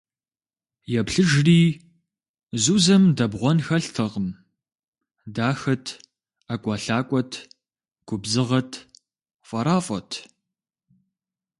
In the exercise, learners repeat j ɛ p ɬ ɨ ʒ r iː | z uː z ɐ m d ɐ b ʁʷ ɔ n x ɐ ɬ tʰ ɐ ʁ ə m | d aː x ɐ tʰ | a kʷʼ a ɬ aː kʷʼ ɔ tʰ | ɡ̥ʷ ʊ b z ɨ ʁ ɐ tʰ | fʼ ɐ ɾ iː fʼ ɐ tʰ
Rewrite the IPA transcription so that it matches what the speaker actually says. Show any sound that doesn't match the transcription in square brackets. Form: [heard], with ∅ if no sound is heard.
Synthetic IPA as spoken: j ɛ p ɬ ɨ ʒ r iː | z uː z ɐ m d ɐ b ʁʷ ɔ n x ɐ ɬ tʰ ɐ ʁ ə m | d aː x ɐ tʰ | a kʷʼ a ɬ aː kʷʼ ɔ tʰ | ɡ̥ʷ ʊ b z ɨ ʁ ɐ tʰ | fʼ ɐ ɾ [aː] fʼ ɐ tʰ